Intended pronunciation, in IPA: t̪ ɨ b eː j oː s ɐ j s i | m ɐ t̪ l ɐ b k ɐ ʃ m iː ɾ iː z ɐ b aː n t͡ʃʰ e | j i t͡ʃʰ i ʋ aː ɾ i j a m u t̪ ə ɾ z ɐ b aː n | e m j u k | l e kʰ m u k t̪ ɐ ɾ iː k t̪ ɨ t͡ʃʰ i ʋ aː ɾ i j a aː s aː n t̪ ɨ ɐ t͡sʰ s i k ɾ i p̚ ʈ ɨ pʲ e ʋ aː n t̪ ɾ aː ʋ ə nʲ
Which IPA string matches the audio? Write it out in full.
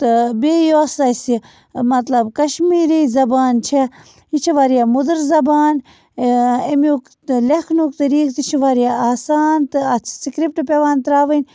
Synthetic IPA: t̪ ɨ b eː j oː s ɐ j s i | m ɐ t̪ l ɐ b k ɐ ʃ m iː ɾ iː z ɐ b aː n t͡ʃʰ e | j i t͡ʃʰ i ʋ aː ɾ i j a m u d̪ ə ɾ z ɐ b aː n | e m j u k | l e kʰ n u k t̪ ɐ ɾ iː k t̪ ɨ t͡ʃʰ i ʋ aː ɾ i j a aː s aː n t̪ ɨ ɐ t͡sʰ s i k ɾ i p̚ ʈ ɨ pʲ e ʋ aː n t̪ ɾ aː ʋ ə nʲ